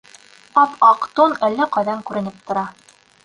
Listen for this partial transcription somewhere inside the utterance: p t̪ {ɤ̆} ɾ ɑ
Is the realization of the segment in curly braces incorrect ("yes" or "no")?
yes